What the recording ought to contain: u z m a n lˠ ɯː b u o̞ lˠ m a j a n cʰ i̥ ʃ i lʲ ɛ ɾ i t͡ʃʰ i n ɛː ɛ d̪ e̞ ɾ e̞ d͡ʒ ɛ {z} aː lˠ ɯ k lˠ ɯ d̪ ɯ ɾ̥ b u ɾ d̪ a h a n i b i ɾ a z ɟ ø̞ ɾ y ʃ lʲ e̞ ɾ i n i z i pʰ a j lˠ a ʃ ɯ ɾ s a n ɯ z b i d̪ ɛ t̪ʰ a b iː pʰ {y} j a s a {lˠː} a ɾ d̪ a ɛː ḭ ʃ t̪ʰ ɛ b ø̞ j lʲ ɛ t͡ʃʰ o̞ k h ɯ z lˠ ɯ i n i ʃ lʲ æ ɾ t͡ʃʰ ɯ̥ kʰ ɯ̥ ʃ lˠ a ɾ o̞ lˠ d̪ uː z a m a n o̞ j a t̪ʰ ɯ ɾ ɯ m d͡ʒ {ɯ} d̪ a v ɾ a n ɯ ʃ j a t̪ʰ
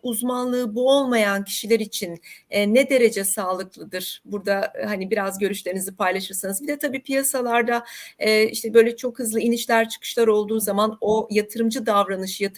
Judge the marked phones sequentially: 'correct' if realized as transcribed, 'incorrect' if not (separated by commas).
incorrect, incorrect, incorrect, correct